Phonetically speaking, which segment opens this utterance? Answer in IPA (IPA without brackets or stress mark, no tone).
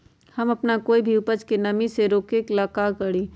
h